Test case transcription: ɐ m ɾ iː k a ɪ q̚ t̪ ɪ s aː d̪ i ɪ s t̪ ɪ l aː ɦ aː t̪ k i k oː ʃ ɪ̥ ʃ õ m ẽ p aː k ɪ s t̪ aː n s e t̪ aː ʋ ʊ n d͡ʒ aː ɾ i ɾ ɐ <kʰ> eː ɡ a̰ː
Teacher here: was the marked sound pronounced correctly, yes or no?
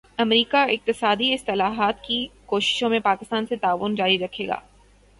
yes